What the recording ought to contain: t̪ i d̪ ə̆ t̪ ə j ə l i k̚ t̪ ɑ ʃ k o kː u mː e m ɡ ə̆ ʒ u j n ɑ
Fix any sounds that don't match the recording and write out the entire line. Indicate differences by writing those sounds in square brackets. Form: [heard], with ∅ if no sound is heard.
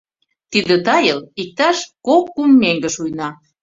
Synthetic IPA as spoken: t̪ i d̪ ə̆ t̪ [ɑ] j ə l i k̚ t̪ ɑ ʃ k o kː u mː e [ŋ] ɡ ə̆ [ʃ] u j n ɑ